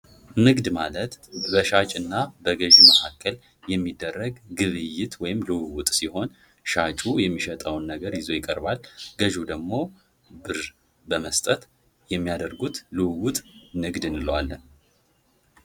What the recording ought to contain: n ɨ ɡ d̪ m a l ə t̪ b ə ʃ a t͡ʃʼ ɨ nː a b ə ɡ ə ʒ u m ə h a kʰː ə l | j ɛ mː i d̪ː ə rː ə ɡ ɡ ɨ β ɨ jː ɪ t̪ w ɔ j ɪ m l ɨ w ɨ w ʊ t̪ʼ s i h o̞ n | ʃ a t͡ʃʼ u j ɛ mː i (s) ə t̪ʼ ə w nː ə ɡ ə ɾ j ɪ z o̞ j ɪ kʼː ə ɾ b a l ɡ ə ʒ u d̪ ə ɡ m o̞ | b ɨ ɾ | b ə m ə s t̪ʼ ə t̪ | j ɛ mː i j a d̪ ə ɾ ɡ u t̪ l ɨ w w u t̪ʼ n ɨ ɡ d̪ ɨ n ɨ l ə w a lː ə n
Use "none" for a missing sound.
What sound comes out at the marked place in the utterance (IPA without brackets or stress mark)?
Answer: ʃ